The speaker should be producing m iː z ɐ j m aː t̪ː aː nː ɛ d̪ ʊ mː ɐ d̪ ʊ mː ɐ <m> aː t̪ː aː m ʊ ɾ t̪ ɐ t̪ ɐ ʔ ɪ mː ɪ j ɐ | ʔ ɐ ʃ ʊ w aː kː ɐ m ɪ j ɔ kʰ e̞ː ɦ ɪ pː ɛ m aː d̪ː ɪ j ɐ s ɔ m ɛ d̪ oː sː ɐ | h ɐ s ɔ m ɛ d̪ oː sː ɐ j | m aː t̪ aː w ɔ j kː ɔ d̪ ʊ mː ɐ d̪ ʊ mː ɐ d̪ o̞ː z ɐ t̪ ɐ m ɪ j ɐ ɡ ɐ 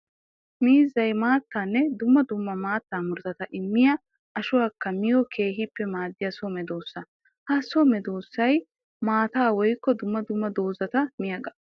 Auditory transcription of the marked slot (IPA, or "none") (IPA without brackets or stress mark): m